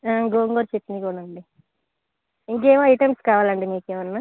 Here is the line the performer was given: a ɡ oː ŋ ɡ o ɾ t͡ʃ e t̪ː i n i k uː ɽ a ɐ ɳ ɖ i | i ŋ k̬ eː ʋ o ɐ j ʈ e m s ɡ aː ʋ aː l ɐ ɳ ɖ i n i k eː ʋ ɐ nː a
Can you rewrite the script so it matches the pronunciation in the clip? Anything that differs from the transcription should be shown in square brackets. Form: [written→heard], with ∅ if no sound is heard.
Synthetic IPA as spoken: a ɡ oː ŋ ɡ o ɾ t͡ʃ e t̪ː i n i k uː ɽ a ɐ ɳ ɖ i | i ŋ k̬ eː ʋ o ɐ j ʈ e m s [ɡ→k] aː ʋ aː l ɐ ɳ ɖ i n [i→iː] k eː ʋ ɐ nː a